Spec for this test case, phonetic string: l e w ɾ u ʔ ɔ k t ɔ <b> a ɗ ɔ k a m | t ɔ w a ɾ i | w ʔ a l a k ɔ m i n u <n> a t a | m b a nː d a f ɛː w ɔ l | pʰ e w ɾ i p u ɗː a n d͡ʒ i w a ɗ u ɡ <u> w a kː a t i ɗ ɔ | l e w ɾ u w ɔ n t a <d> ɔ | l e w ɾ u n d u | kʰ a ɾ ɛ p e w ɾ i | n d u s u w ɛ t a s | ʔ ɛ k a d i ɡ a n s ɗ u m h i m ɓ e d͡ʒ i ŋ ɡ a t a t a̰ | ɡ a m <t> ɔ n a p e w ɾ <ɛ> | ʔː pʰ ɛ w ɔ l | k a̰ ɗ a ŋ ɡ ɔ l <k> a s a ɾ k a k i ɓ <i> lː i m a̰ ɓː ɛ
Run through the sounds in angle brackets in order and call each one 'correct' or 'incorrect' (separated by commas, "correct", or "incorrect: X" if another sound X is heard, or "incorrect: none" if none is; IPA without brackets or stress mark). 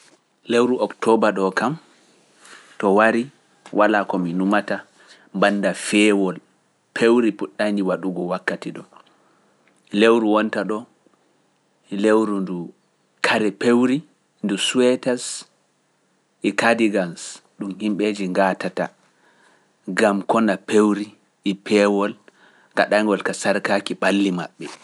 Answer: correct, incorrect: m, incorrect: ɔ, incorrect: ɗ, incorrect: k, incorrect: i, correct, incorrect: a